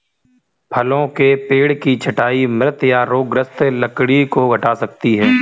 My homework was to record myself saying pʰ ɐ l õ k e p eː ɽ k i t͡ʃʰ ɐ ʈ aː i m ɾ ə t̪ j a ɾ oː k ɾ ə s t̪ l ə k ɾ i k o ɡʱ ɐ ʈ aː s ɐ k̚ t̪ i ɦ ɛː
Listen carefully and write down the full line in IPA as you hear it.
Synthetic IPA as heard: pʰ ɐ l õ k e p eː ɽ k i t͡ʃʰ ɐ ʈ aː i m ɾ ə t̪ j a ɾ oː ɡ ɾ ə s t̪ l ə k ɽ i k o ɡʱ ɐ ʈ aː s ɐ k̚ t̪ i ɦ ɛː